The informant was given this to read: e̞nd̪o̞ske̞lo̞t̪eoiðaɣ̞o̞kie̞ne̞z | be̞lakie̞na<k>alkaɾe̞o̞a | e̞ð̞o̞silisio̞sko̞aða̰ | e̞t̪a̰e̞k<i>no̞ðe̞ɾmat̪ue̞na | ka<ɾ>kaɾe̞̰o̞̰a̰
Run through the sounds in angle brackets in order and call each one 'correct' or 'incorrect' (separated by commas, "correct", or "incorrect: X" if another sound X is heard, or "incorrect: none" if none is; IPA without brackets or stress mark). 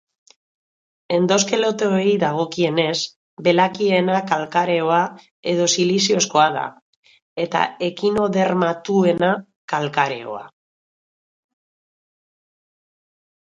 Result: correct, correct, incorrect: l